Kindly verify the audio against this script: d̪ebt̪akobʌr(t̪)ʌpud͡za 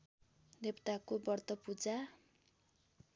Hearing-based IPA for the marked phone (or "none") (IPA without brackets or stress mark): t̪